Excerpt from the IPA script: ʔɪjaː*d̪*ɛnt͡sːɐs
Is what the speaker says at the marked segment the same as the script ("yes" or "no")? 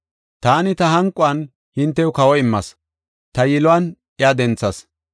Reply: yes